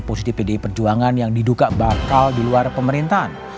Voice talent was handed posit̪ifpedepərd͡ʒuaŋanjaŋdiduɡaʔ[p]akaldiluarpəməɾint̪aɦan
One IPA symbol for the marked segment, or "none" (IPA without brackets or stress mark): b